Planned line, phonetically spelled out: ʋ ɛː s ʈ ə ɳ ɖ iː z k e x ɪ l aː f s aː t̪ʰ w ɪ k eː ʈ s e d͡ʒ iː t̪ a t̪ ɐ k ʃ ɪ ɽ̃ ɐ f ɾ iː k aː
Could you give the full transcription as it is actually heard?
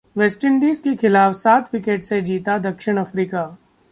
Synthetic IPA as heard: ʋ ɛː s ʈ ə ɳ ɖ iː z k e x ɪ l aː f s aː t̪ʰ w ɪ k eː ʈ s e d͡ʒ iː t̪ a d̪ ɐ k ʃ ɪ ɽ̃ ɐ f ɾ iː k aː